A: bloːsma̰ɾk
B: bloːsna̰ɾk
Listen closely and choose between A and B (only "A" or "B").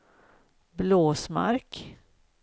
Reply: A